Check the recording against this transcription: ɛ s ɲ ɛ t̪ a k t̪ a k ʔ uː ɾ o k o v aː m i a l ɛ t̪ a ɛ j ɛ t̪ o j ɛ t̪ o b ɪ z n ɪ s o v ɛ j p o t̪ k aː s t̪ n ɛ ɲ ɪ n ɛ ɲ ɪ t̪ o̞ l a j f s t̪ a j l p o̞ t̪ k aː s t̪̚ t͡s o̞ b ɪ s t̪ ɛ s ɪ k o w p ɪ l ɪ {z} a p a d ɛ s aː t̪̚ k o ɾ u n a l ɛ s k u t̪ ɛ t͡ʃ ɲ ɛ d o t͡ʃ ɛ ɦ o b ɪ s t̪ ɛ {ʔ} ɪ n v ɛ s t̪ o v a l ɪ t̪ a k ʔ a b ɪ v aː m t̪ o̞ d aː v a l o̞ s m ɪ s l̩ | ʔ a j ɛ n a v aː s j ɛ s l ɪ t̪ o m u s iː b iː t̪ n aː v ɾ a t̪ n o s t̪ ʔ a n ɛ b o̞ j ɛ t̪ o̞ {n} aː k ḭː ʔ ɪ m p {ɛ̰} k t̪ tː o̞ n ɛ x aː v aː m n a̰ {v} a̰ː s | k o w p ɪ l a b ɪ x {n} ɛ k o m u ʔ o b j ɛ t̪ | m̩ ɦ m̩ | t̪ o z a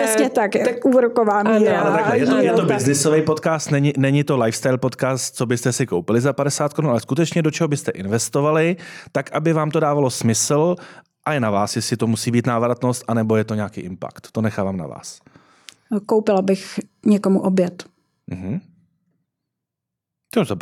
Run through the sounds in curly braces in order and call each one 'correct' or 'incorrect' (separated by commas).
correct, correct, incorrect, incorrect, correct, incorrect